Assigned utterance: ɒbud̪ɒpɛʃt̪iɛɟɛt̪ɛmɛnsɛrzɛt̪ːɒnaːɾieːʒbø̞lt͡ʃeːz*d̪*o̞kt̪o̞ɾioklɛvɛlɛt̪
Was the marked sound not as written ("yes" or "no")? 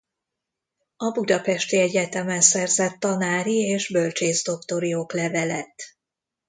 no